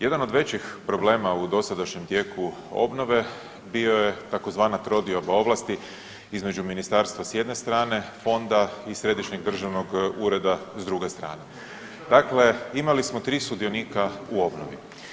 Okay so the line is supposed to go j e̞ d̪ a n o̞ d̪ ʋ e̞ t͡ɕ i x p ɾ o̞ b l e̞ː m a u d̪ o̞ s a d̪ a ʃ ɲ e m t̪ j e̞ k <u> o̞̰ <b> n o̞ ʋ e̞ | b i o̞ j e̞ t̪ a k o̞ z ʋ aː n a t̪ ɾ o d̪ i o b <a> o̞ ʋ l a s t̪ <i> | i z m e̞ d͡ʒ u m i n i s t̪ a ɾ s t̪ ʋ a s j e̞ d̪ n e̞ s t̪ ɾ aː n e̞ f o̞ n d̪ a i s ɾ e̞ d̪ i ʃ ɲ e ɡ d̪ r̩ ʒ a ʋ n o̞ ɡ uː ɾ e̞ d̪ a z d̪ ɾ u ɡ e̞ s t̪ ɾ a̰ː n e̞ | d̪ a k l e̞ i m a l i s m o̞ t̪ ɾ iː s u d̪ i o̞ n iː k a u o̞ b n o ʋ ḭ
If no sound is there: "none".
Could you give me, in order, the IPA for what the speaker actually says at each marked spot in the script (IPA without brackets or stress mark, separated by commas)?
u, b, a, i